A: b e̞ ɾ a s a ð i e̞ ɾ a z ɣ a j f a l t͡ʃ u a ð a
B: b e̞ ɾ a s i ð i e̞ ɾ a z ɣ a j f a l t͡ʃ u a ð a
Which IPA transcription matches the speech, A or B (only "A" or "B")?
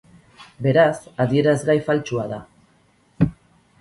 A